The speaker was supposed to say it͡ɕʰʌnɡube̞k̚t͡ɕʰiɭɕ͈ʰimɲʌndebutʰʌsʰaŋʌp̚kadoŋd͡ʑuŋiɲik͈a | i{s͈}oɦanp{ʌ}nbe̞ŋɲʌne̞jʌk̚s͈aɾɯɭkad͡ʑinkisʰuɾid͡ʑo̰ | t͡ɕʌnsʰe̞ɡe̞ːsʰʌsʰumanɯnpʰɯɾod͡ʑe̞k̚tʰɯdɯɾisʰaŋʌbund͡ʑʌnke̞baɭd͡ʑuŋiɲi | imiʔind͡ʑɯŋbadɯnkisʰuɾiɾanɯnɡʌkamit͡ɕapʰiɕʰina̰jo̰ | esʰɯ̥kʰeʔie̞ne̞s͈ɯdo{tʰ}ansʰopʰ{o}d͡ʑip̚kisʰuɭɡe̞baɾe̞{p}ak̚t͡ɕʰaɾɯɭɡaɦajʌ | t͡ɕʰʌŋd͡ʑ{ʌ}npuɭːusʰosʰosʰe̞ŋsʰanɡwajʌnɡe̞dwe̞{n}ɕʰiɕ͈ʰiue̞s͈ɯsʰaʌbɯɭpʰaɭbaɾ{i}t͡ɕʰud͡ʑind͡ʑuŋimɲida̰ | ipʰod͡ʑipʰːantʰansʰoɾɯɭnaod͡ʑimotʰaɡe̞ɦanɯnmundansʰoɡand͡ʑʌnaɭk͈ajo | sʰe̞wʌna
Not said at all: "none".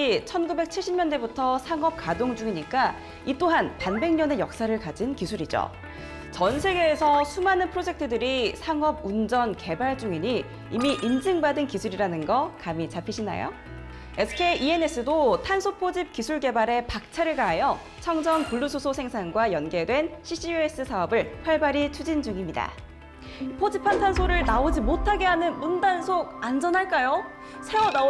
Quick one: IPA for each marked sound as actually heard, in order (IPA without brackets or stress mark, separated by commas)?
t͈, a, tʰ, o, p, ʌ, n, i